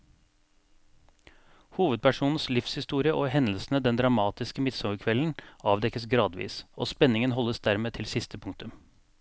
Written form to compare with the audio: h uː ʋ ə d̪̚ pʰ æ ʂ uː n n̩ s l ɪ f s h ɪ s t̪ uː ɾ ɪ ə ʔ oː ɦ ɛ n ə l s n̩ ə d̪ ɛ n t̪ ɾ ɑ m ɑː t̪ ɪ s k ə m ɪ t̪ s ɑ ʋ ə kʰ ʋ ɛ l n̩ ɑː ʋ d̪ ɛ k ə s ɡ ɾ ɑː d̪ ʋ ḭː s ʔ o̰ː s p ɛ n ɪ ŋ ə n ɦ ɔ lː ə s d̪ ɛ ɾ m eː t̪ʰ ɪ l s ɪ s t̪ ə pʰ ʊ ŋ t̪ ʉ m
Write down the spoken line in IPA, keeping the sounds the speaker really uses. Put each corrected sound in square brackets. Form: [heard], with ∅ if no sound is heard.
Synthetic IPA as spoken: h uː ʋ ə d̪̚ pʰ æ ʂ uː n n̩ s l ɪ f s h ɪ s t̪ uː ɾ ɪ ə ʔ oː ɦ ɛ n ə l s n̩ ə d̪ ɛ n [d̪] ɾ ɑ m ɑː t̪ ɪ s k ə m ɪ t̪ s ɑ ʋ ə kʰ ʋ ɛ l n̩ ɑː ʋ d̪ ɛ k ə s ɡ ɾ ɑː d̪ ʋ ḭː s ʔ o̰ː s p ɛ n ɪ ŋ ə n ɦ ɔ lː ə s d̪ [æ] ɾ m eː t̪ʰ ɪ l s ɪ s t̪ ə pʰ ʊ ŋ t̪ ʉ m